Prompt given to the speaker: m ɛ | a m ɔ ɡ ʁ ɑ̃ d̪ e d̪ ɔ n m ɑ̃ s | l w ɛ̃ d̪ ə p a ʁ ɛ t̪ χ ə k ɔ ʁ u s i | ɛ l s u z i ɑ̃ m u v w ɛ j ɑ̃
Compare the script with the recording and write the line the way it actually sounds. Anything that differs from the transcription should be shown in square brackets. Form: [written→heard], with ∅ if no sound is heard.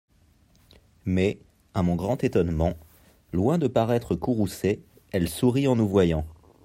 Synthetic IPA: m ɛ | a m [ɔ→ɔ̃] ɡ ʁ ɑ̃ [d̪→t̪] e [d̪→t̪] ɔ n m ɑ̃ [s→∅] | l w ɛ̃ d̪ ə p a ʁ ɛ t̪ χ ə k [ɔ→u] ʁ u s [i→e] | ɛ l s u [z→ʁ] i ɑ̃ [m→n] u v w [ɛ→a] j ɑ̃